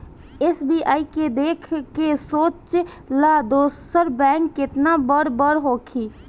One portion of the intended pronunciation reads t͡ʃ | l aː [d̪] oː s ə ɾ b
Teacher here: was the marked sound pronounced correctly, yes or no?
yes